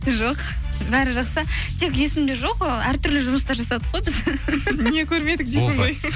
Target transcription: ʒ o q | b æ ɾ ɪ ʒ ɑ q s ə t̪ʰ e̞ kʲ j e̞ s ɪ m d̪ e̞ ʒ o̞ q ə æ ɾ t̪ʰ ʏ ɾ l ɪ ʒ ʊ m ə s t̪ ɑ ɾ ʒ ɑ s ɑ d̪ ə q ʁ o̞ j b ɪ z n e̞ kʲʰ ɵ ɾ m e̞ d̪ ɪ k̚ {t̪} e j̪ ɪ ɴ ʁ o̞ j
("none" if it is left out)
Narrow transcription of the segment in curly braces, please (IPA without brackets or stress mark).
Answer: d̪